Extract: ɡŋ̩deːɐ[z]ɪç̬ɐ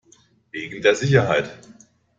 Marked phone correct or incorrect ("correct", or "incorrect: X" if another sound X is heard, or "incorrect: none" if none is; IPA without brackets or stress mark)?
correct